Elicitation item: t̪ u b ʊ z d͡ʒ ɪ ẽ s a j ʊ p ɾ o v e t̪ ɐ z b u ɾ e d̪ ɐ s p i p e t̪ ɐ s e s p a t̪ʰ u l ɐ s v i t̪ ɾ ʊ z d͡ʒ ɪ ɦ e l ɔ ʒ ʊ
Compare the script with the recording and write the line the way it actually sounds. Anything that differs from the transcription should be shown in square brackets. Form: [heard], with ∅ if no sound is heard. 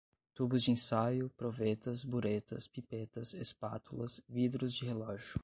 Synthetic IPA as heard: t̪ u b ʊ z d͡ʒ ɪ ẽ s a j ʊ p ɾ o v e t̪ ɐ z b u ɾ e [t̪] ɐ s p i p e t̪ ɐ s e s p a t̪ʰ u l ɐ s v i [d̪] ɾ ʊ z d͡ʒ ɪ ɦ e l ɔ ʒ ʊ